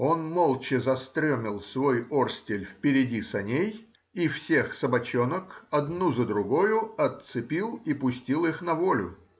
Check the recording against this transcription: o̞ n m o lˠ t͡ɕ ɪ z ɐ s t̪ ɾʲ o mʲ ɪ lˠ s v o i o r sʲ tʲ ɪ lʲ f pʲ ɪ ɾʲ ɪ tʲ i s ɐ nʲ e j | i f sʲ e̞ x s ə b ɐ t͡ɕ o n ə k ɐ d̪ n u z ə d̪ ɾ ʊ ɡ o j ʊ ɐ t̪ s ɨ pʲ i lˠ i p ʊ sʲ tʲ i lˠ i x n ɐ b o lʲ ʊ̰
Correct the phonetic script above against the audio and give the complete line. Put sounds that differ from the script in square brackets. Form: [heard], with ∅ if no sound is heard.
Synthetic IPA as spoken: o̞ n m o lˠ t͡ɕ ɪ z ɐ s t̪ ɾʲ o mʲ ɪ lˠ s v o [j] o r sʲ tʲ ɪ lʲ f pʲ ɪ ɾʲ ɪ [dʲ] i s ɐ nʲ e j | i f sʲ e̞ x s ə b ɐ t͡ɕ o n ə k ɐ d̪ n u z ə d̪ ɾ ʊ ɡ o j ʊ ɐ t̪ s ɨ pʲ i lˠ i p ʊ sʲ tʲ i lˠ i x n ɐ [v] o lʲ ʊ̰